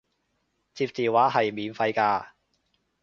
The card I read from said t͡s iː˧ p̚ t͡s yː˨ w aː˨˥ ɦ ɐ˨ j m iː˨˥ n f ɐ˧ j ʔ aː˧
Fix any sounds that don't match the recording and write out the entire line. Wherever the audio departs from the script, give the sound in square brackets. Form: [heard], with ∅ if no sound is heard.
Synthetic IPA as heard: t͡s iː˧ p̚ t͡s [iː˨] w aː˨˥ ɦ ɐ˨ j m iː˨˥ n f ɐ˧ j [k] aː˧